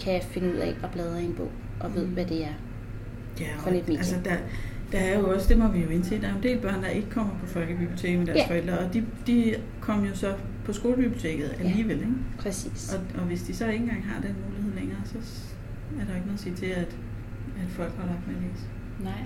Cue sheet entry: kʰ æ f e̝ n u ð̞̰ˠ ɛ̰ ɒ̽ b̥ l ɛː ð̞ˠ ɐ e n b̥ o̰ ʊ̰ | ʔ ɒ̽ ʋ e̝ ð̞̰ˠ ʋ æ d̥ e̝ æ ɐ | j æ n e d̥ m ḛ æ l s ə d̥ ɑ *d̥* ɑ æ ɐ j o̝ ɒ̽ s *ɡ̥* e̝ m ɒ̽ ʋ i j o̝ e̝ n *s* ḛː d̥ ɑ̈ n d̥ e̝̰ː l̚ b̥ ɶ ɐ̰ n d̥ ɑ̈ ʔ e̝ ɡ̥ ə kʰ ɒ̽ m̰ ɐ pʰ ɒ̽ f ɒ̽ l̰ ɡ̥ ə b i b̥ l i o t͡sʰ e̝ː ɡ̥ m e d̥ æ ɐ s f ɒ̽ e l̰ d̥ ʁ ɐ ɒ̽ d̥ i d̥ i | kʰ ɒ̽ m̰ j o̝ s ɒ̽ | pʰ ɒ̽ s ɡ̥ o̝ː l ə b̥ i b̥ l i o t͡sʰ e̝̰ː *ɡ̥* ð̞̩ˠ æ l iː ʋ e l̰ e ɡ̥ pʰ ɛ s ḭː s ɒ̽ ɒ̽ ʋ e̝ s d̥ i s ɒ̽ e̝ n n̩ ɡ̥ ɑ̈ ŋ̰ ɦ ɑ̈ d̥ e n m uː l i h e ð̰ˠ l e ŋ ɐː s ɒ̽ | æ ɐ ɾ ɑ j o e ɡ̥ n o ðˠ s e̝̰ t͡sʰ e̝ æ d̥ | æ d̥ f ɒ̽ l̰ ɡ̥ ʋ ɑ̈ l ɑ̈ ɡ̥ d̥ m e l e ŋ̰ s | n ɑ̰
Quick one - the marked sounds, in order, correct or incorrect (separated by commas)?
correct, incorrect, correct, correct